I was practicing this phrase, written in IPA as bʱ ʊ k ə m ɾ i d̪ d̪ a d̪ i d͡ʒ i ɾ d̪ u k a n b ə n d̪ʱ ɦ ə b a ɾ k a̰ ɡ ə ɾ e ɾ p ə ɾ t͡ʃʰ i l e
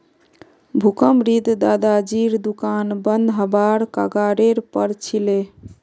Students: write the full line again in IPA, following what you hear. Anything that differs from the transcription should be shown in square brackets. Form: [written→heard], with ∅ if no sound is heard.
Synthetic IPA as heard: bʱ [ʊ→u] k ə m ɾ i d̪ d̪ a d̪ [i→a] d͡ʒ i ɾ d̪ u k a n b ə n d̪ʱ ɦ ə b a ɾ k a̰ ɡ [ə→a] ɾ e ɾ p ə ɾ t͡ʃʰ i l e